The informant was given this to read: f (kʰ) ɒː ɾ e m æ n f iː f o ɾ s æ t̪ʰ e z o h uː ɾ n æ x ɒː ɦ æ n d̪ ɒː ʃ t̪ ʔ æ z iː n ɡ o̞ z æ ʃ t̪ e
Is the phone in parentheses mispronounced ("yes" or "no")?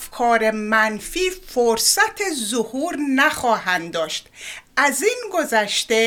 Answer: no